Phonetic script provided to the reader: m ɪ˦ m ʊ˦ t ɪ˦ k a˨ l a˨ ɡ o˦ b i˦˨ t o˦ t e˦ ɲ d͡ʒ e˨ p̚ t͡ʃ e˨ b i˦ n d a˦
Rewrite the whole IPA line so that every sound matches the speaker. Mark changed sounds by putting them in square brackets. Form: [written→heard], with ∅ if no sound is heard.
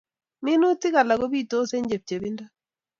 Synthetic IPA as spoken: m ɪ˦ [m→n] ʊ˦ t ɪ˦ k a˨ l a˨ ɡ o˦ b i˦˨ t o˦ [t→s] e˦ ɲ d͡ʒ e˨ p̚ t͡ʃ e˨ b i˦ n d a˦